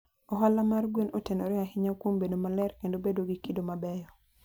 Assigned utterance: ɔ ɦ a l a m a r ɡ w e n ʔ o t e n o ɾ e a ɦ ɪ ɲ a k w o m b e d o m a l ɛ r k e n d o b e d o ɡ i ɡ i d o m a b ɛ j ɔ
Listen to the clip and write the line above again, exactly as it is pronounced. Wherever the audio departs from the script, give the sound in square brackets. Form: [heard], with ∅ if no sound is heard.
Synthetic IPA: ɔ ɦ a l a m a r ɡ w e n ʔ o t e n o ɾ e a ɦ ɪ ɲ a k w o m b e d o m a l ɛ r k e n d o b e d o ɡ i [k] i d o m a b ɛ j ɔ